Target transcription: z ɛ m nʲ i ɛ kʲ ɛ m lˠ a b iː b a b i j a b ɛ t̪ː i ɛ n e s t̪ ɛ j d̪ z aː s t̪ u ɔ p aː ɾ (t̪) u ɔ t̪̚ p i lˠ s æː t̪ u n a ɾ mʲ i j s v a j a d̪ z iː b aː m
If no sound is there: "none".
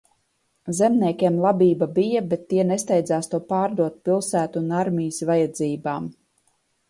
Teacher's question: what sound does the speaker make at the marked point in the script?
d̪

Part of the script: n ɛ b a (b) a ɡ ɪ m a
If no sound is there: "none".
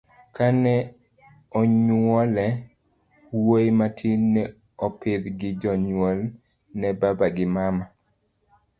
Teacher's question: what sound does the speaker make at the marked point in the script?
b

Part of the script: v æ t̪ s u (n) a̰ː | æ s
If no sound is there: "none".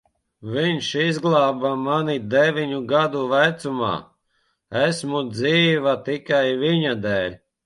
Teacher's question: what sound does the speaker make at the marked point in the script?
m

